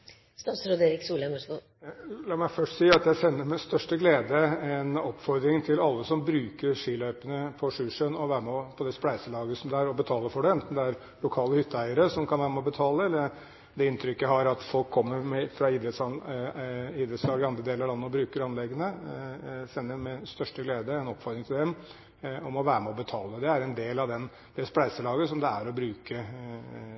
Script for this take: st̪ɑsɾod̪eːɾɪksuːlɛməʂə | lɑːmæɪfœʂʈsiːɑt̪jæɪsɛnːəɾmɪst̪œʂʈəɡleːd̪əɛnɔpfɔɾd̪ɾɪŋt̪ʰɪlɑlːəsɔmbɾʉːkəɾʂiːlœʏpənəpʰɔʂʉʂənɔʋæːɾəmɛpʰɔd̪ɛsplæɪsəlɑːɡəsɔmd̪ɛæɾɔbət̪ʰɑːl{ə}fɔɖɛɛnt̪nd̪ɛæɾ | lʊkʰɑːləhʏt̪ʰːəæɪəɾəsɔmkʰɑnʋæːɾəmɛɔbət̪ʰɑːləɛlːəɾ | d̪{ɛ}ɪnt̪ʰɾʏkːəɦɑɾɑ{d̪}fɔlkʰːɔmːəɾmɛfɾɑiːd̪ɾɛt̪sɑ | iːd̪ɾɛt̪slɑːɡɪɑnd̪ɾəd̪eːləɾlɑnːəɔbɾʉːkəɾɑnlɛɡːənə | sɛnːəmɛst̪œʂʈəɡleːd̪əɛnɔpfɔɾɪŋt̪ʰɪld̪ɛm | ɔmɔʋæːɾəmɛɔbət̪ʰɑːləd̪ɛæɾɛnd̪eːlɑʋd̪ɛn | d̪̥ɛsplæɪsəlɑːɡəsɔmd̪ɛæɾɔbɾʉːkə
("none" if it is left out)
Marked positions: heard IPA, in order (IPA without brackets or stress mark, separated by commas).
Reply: ə, ɛ, t̪